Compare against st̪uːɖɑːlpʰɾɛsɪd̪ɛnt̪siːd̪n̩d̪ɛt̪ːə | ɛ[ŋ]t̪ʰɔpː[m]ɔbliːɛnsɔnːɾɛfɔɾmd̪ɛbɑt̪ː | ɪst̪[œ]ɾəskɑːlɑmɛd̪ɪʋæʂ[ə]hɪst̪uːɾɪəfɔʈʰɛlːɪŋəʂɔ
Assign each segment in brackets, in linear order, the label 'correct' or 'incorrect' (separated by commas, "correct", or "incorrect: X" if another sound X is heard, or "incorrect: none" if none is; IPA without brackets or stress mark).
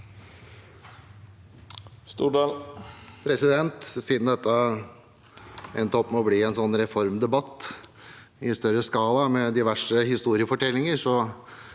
incorrect: n, correct, correct, correct